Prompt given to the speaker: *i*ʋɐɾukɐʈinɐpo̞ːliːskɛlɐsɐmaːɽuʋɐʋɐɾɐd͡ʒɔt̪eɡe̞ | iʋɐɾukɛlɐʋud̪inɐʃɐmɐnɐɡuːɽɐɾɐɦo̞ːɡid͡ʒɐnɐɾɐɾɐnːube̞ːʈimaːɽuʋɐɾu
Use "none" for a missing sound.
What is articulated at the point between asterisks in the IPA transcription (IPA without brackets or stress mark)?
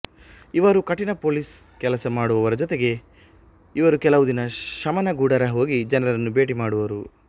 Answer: i